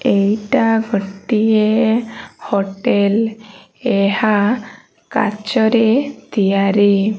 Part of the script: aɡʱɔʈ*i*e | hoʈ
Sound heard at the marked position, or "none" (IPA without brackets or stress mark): i